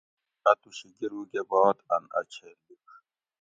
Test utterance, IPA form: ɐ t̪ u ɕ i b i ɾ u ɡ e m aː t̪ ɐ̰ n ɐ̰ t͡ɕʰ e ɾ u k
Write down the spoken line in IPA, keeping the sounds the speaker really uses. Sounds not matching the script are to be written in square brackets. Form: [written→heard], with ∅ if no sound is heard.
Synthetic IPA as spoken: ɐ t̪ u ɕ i [b→ɡ] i ɾ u ɡ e [m→b] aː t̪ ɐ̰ n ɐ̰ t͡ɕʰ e [ɾ→l] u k